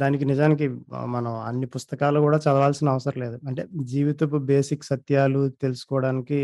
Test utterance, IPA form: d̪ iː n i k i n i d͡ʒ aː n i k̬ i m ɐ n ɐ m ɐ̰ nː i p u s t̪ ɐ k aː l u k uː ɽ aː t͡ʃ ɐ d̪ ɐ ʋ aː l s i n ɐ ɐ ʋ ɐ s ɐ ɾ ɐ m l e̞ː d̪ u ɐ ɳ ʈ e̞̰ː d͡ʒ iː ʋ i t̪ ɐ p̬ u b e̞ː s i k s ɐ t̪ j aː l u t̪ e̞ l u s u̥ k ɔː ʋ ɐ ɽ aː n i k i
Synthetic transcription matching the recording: d̪ aː n i k i n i d͡ʒ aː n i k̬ i m ɐ n ɐ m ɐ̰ nː i p u s t̪ ɐ k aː l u k uː ɽ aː t͡ʃ ɐ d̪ ɐ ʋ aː l s i n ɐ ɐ ʋ ɐ s ɐ ɾ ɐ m l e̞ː d̪ u ɐ ɳ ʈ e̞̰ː d͡ʒ iː ʋ i t̪ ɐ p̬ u b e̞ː s i k s ɐ t̪ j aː l u t̪ e̞ l u s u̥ k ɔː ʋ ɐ ɽ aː n i k i